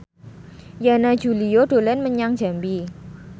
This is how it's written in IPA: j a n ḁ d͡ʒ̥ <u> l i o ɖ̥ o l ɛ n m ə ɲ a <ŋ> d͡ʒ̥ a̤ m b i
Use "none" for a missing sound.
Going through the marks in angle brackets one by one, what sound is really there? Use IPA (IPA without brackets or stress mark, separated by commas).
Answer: u, ŋ